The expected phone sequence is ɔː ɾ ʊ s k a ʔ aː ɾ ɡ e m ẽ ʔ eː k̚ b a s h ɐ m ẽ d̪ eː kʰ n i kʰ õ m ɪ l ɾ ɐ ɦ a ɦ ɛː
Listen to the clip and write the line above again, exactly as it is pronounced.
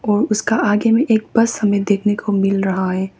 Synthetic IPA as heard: ɔː ɾ ʊ s k a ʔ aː ɡ e m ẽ ʔ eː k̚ b ɐ s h ɐ m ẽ d̪ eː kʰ n e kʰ o m ɪ l ɾ ɐ ɦ a ɦ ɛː